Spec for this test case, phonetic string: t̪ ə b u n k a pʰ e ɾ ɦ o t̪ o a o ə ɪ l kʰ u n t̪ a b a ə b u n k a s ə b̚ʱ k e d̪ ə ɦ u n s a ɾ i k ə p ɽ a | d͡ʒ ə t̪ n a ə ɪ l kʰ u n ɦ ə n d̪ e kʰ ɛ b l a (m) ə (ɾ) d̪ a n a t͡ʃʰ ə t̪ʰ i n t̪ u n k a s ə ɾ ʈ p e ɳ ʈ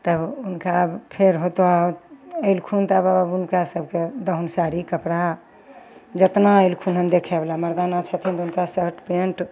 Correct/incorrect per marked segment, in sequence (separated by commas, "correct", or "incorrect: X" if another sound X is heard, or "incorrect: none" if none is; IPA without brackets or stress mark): correct, correct